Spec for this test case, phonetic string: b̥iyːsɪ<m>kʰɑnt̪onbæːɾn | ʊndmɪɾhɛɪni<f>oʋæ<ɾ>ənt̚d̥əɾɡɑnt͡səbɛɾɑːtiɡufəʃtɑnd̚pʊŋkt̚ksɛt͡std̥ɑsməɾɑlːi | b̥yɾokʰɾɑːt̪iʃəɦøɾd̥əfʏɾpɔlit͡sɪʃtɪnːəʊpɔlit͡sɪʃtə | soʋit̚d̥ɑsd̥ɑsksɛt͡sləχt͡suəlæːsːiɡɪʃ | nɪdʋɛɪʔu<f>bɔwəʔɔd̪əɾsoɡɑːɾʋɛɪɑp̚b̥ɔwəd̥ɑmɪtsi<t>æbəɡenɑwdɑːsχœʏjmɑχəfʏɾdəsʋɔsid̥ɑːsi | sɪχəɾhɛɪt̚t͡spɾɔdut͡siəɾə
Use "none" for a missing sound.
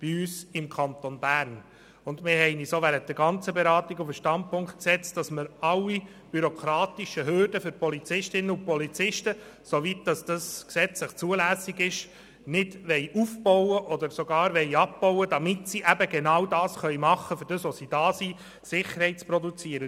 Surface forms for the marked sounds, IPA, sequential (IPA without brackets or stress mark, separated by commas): m, s, ɾ, f, ʔ